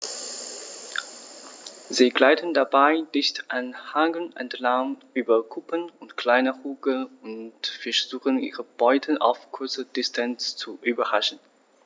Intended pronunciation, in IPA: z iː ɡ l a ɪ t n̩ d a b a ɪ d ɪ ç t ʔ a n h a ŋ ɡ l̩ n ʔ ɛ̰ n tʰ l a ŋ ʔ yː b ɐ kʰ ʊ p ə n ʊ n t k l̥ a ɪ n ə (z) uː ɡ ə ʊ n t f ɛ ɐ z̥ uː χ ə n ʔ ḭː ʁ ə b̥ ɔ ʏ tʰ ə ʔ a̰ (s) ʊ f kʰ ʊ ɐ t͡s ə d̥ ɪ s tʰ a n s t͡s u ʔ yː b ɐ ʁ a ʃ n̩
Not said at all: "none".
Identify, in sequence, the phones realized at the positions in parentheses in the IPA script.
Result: ʁ, none

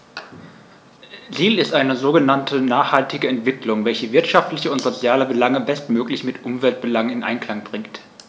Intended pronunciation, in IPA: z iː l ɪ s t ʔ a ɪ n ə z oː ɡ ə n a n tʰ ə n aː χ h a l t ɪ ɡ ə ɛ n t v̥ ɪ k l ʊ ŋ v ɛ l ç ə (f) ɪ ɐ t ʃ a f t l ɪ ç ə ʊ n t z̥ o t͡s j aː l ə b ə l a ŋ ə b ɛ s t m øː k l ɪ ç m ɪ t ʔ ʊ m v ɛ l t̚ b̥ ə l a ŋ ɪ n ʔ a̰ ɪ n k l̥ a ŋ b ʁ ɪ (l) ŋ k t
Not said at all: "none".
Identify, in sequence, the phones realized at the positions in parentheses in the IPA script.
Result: v, none

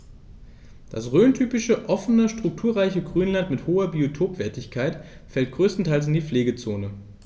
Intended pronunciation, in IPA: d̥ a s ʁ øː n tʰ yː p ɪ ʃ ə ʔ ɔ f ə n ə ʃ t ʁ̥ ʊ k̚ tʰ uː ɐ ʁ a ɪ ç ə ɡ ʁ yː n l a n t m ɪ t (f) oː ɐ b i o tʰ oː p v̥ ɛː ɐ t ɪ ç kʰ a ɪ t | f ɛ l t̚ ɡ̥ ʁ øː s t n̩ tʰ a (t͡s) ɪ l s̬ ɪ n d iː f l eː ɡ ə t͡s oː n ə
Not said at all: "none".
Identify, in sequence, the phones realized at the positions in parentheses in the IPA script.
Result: h, none

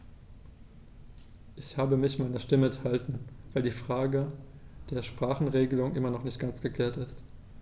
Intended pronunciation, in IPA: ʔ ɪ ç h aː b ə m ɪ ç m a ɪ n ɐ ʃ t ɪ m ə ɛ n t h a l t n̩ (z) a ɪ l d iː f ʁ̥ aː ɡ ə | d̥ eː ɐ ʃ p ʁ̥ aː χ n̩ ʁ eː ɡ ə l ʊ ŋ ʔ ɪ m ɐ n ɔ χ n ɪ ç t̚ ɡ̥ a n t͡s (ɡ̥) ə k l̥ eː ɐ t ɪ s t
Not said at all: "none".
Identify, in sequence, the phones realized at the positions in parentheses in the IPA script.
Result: v, ɡ̥

